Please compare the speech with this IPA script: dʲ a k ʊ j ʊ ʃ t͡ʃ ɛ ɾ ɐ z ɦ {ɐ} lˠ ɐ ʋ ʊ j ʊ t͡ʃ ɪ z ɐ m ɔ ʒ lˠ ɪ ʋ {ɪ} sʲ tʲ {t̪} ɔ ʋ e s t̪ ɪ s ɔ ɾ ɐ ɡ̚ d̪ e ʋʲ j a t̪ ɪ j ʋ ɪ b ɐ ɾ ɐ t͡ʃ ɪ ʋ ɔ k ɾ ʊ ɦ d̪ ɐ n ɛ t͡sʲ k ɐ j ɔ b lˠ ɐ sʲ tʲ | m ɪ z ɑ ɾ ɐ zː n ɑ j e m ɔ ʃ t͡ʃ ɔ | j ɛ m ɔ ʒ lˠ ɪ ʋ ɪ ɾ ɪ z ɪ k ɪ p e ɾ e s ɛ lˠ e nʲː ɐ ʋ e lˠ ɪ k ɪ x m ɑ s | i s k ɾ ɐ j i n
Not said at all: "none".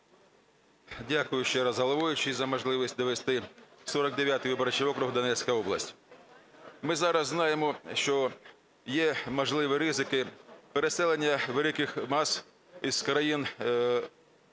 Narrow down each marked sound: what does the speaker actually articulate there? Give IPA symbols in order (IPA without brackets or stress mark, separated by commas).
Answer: ɐ, i, d̪